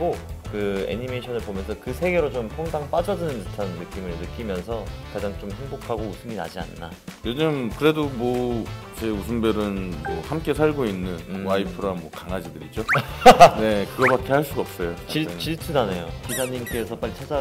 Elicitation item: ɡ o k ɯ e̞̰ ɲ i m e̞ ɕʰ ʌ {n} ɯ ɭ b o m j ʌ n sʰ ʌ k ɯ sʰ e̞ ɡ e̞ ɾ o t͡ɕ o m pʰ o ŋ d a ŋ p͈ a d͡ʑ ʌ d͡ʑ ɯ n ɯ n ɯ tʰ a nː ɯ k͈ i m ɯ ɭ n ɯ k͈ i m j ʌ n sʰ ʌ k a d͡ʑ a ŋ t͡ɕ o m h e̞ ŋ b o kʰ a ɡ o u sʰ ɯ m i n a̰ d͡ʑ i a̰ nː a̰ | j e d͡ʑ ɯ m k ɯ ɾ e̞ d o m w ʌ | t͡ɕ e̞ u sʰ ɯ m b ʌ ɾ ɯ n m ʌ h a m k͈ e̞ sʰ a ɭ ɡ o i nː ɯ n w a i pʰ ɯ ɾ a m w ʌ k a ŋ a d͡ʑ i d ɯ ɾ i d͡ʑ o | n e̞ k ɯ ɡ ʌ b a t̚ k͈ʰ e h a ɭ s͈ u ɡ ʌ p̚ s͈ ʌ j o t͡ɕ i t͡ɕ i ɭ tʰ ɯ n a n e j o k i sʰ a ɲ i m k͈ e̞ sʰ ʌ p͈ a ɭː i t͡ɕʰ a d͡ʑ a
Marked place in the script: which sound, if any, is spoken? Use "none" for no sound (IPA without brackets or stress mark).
n